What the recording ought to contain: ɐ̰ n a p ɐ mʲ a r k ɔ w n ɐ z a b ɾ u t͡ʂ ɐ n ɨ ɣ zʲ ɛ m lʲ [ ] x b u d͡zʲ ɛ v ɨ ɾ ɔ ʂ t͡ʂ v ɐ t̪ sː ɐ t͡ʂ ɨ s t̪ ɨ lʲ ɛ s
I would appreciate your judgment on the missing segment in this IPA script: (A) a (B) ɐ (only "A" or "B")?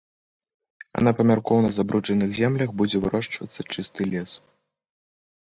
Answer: B